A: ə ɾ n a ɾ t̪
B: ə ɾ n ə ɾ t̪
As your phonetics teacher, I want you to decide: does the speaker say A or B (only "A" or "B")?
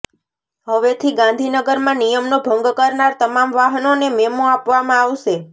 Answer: A